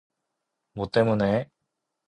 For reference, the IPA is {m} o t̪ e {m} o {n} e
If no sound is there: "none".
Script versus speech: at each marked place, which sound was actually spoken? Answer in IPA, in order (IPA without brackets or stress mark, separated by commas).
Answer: m, m, n